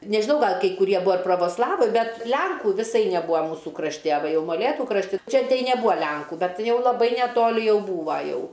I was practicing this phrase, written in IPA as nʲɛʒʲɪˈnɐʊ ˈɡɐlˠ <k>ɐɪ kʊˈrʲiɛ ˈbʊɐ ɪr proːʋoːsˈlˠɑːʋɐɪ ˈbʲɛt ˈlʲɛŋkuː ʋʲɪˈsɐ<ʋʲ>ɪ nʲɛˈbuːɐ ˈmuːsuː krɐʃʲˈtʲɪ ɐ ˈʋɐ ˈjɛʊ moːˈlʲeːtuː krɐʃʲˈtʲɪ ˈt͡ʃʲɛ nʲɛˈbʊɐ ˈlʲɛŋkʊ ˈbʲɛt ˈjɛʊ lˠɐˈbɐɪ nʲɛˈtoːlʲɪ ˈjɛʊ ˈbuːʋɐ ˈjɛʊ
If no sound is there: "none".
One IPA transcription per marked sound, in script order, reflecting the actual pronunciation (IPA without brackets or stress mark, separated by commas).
k, none